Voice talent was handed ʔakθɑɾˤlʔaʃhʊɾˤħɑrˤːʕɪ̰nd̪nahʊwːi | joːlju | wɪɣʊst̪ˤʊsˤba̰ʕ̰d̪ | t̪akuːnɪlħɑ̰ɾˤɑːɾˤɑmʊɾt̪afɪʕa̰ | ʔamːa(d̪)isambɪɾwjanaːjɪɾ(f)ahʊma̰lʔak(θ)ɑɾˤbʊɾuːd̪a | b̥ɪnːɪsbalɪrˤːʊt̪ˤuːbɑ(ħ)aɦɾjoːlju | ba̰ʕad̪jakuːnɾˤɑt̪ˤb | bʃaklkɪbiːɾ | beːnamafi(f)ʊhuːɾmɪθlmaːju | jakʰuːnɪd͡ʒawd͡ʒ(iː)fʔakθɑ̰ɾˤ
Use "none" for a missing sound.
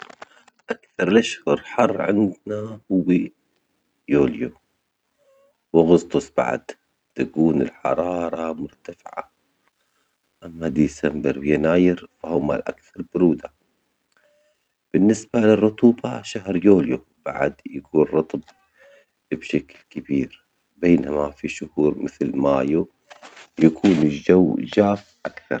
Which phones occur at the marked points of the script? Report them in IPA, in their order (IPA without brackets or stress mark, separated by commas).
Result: d̪, f, θ, ʃ, ʃ, aː